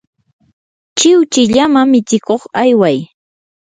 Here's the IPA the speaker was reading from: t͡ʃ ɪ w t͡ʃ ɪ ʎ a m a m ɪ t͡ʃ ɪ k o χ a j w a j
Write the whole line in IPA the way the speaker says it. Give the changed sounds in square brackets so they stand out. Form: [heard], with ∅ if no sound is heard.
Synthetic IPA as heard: t͡ʃ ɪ w t͡ʃ ɪ ʎ a m a m ɪ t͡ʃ ɪ k o χ a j w a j